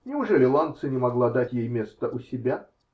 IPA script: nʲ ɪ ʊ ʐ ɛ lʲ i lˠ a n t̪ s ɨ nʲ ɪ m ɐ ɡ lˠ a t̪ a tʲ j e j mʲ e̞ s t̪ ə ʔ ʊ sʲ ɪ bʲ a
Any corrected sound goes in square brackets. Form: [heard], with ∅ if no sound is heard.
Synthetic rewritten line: nʲ ɪ ʊ ʐ ɛ lʲ [ɪ] lˠ a n t̪ s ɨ nʲ ɪ m ɐ ɡ lˠ a [d̪] a tʲ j e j mʲ e̞ s t̪ ə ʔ ʊ sʲ ɪ bʲ a